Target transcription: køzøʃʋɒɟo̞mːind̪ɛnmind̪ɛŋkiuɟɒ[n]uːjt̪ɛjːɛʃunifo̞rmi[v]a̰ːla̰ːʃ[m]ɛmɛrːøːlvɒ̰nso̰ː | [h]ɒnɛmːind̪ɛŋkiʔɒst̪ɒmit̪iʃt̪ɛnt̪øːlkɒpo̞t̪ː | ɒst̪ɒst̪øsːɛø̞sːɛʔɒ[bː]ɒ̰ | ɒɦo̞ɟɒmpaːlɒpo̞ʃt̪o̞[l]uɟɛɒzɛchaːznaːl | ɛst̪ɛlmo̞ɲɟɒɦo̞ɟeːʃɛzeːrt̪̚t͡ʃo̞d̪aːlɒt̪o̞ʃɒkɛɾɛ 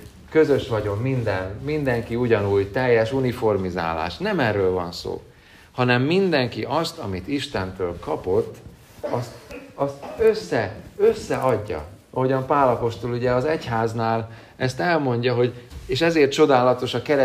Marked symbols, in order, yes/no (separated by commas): yes, no, no, yes, no, yes